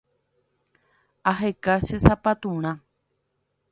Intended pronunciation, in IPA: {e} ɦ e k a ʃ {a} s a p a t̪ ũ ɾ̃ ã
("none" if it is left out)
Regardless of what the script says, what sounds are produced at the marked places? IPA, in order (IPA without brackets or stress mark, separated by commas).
a, e